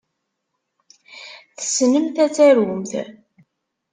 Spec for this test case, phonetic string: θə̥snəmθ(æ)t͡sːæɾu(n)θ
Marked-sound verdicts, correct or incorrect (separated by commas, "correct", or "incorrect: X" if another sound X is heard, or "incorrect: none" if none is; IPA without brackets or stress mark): correct, incorrect: m